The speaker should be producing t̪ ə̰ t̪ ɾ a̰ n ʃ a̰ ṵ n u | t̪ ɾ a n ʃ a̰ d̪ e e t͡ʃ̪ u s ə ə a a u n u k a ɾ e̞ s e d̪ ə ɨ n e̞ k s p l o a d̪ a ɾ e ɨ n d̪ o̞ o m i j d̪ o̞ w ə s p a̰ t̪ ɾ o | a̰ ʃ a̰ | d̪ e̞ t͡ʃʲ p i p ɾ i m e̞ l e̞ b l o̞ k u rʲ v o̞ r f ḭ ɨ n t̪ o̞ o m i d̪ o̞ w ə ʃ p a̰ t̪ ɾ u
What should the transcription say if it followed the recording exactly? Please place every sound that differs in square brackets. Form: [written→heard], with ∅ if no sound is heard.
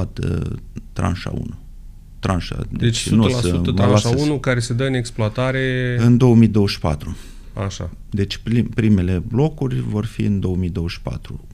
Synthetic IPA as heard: t̪ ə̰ t̪ ɾ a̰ n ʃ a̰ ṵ n u | t̪ ɾ a n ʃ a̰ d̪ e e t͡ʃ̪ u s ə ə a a u n u k a ɾ e̞ s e d̪ ə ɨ n e̞ k s p l o a [d̪→t̪] a ɾ e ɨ n d̪ o̞ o m i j d̪ o̞ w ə [s→ʃ] p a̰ t̪ ɾ [o→u] | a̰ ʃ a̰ | d̪ e̞ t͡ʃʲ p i p ɾ i m e̞ l e̞ b l o̞ k u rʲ v o̞ r f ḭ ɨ n [t̪→d̪] o̞ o m i d̪ o̞ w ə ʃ p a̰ t̪ ɾ u